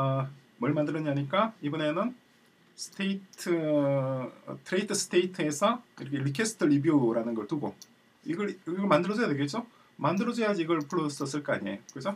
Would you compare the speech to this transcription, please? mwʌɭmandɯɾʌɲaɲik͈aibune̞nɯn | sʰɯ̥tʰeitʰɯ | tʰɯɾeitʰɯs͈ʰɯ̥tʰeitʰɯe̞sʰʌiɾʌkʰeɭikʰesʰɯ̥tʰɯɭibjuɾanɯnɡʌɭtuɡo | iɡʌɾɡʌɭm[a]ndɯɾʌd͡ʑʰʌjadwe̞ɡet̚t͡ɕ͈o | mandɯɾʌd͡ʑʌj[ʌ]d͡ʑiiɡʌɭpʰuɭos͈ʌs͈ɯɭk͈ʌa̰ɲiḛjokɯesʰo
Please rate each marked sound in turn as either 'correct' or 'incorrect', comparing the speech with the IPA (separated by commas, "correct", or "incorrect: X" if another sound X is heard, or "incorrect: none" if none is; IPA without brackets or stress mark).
correct, incorrect: a